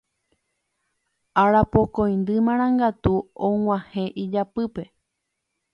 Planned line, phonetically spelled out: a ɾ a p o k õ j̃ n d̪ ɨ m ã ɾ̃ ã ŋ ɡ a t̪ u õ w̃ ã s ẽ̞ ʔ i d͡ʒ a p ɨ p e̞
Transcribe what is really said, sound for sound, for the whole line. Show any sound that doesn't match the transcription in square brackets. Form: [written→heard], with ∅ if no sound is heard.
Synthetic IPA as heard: a ɾ a p o k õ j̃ n d̪ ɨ m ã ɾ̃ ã ŋ ɡ a t̪ u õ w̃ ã [s→h] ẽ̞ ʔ i d͡ʒ a p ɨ p e̞